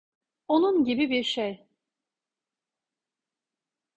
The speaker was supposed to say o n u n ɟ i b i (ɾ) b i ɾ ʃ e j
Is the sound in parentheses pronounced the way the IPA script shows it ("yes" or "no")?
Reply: no